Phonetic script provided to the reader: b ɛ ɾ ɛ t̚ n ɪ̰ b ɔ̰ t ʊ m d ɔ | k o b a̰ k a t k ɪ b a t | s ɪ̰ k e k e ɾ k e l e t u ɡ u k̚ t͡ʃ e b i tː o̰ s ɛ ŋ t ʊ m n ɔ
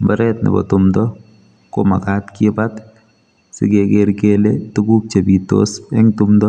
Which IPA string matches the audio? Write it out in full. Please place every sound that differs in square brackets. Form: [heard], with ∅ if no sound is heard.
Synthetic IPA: b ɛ ɾ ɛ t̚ n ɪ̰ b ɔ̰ t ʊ m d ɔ | k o [m] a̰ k a t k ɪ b a t | s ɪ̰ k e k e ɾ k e l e t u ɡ u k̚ t͡ʃ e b i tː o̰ s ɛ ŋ t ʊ m [d] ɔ